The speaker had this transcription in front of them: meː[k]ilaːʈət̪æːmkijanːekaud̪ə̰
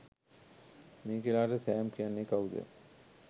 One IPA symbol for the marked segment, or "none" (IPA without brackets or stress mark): k